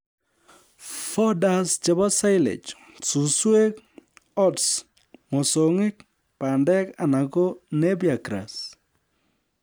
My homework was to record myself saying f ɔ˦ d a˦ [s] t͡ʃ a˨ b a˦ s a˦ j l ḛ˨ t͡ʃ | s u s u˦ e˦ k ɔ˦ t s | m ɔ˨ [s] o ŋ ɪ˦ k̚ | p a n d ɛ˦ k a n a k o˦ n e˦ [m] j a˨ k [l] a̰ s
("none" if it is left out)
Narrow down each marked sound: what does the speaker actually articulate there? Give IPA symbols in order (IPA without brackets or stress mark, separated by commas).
s, s, b, ɾ